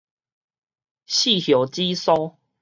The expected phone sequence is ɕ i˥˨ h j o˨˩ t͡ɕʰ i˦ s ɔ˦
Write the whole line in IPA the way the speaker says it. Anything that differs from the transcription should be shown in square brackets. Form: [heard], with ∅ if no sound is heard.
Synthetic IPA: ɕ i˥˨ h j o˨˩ [t͡ɕ] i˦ s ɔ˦